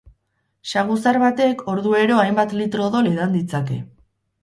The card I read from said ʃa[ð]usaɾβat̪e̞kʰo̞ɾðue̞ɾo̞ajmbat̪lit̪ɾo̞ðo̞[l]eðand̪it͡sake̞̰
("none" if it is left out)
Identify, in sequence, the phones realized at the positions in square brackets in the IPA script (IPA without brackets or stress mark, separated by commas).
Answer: ɣ, l